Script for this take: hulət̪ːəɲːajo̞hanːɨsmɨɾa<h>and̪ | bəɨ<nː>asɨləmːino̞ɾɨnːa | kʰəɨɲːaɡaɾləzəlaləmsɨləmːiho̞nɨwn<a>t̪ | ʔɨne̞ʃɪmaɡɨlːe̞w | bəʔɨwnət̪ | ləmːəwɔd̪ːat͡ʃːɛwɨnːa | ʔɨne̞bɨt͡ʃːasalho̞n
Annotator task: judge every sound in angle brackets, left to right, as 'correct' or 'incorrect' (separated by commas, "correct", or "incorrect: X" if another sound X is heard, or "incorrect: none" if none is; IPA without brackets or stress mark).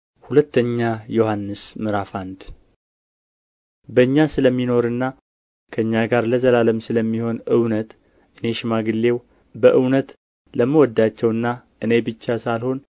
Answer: incorrect: f, incorrect: ɲː, incorrect: ə